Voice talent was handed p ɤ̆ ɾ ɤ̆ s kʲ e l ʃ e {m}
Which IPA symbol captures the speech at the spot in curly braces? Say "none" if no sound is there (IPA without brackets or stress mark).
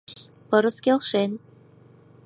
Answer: n